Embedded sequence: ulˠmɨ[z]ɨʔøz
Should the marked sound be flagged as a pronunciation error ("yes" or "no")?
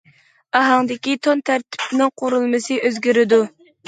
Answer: yes